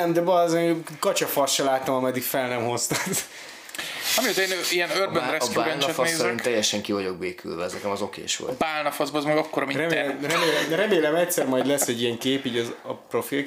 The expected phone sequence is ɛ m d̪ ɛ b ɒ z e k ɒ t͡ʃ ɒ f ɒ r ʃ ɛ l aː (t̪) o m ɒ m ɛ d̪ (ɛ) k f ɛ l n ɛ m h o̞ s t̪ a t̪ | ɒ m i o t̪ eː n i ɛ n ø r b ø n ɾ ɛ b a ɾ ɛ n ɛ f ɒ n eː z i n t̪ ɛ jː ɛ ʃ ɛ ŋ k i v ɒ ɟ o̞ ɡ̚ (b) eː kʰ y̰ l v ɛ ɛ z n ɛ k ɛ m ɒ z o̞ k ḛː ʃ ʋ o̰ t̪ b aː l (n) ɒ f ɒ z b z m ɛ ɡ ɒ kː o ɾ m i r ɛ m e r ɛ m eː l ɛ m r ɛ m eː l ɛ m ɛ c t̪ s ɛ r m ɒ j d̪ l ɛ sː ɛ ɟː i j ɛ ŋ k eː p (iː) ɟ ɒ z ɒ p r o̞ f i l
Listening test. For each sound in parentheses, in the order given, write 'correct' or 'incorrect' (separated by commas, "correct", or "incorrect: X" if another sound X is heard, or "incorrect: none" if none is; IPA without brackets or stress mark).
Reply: correct, incorrect: i, correct, correct, correct